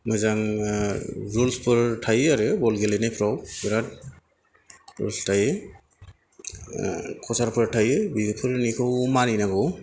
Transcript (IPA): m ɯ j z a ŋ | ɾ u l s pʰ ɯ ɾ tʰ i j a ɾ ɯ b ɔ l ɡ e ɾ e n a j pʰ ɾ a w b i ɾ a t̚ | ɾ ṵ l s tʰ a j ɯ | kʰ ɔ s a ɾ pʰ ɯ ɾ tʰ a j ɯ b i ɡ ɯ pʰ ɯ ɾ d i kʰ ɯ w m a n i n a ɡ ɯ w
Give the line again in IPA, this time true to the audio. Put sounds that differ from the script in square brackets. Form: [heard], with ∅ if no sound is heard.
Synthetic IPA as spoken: m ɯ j z a ŋ | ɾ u l s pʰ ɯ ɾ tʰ [a] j a ɾ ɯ b ɔ l ɡ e [l] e n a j pʰ ɾ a w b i ɾ a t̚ | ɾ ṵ l s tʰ a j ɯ | kʰ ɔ s a ɾ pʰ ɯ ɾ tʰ a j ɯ b i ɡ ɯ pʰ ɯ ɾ [n] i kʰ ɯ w m a n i n a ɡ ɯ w